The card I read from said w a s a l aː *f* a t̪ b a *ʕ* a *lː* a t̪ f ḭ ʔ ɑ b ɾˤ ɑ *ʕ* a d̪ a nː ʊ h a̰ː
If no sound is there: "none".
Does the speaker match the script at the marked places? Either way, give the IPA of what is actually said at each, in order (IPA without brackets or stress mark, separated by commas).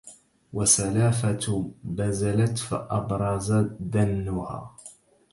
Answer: f, z, l, z